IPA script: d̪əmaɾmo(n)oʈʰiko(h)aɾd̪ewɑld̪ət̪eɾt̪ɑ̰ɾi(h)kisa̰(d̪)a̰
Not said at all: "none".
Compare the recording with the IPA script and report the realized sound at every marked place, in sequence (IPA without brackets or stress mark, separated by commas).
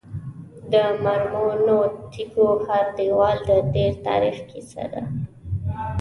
n, h, x, d̪